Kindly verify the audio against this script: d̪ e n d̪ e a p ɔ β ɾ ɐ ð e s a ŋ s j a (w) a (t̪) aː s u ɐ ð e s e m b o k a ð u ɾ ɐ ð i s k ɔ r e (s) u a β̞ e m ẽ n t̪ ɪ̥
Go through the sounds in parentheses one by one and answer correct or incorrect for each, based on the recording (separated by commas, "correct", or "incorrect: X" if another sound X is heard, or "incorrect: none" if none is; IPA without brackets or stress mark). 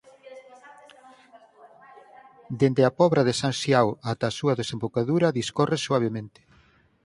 correct, correct, correct